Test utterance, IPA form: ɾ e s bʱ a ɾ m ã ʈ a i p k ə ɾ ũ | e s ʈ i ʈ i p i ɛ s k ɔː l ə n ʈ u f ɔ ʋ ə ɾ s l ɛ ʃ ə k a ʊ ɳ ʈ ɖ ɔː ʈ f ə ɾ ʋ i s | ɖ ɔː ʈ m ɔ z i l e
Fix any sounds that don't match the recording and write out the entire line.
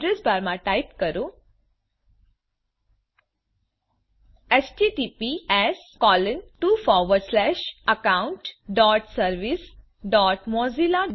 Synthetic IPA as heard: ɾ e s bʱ a ɾ m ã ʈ a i p k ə ɾ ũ | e s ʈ i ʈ i p i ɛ s k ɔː l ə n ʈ u f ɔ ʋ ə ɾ s l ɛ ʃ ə k a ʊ ɳ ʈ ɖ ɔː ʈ s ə ɾ ʋ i s | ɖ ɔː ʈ m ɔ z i l a